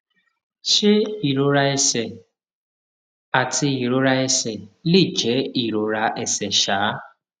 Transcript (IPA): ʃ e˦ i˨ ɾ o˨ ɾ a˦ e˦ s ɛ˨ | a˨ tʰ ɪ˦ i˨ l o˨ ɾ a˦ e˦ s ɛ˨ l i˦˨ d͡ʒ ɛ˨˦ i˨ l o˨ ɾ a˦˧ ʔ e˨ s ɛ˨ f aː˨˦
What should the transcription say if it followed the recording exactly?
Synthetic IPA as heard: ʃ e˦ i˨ ɾ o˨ ɾ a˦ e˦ s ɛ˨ | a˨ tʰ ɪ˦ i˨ ɾ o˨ ɾ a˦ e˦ s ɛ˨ l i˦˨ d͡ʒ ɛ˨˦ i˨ ɾ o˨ ɾ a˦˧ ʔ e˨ s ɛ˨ ʃ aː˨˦